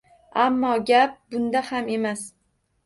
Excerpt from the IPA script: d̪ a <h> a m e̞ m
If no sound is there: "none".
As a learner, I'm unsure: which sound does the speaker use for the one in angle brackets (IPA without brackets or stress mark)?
h